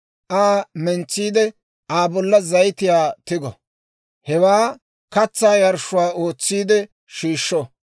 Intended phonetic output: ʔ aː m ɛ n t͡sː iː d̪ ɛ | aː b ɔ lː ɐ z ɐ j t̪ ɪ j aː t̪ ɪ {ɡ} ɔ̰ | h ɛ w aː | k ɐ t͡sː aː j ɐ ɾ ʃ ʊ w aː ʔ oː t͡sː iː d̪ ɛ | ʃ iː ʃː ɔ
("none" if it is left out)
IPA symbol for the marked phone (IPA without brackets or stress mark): ɡ